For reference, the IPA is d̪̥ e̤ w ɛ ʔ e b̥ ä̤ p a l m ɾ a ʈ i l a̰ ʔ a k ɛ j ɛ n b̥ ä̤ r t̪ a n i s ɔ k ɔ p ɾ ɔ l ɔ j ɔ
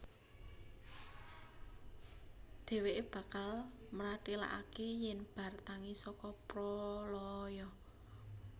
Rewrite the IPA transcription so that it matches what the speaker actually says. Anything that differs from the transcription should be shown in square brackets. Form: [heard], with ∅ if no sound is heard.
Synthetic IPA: d̪̥ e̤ w [e] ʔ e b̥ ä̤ [k] a l m ɾ a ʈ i l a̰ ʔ a k [e] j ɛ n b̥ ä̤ r t̪ a [ŋ] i s ɔ k ɔ p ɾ ɔ l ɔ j ɔ